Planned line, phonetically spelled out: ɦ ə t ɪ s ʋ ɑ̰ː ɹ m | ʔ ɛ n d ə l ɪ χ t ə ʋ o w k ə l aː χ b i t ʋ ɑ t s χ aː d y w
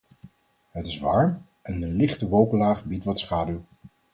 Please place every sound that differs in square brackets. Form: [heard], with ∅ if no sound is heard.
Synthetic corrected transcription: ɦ ə t ɪ s ʋ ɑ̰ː ɹ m | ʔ ɛ n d ə l ɪ χ t ə ʋ o w k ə l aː χ b i t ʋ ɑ t s χ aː d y w